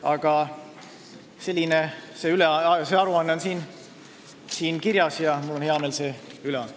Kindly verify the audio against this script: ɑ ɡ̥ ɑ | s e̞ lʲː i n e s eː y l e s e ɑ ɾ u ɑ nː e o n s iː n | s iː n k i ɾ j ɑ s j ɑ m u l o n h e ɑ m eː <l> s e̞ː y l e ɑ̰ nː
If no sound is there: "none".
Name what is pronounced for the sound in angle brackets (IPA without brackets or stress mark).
l